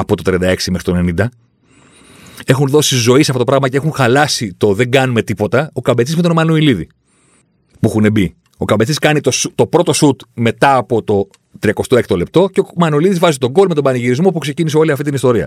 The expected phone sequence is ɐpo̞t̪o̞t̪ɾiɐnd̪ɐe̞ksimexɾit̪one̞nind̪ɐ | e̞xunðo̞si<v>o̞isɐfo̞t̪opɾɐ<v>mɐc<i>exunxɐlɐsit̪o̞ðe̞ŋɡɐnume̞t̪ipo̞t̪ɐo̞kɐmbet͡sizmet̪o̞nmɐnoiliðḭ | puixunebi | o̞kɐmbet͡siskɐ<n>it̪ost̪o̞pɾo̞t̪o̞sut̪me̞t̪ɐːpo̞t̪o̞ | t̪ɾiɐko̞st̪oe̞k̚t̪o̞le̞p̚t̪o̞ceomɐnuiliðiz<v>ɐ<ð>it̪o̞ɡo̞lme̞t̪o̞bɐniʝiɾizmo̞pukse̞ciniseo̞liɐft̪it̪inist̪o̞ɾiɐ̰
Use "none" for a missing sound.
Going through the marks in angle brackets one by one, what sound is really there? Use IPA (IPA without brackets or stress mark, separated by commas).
z, ɣ, e, n, v, z